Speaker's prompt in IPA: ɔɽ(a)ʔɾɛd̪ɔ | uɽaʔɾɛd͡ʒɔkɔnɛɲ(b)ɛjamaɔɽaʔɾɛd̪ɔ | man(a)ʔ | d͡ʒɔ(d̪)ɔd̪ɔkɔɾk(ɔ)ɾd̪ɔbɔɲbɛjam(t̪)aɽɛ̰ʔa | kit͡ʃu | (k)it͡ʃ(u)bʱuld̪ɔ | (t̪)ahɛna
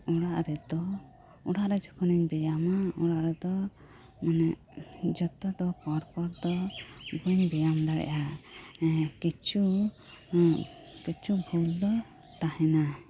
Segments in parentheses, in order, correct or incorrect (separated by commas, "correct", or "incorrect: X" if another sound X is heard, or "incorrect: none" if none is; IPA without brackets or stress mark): correct, correct, incorrect: ɛ, incorrect: t̪, correct, incorrect: d̪, correct, correct, correct